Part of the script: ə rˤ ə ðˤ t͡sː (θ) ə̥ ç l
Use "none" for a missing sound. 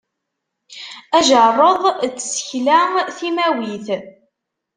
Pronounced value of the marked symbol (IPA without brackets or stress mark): s